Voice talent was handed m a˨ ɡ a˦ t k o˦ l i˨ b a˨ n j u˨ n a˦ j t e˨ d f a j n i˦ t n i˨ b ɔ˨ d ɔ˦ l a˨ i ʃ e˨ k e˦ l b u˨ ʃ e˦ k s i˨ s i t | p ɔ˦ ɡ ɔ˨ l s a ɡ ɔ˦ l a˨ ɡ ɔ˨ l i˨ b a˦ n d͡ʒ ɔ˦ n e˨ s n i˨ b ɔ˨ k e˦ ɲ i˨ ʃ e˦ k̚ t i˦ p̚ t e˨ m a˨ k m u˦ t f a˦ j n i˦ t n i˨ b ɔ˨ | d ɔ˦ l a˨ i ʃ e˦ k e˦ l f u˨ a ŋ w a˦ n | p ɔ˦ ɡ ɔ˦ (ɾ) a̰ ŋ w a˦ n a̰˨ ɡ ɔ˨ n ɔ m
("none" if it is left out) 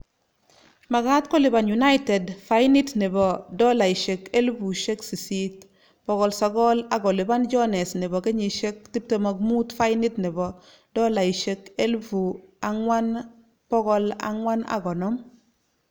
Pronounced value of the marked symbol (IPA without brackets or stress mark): l